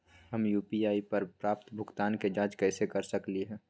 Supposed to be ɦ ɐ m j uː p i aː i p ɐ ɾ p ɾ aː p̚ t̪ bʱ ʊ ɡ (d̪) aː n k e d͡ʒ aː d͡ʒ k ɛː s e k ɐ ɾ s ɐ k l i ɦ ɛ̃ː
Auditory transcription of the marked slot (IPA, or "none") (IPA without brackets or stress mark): t̪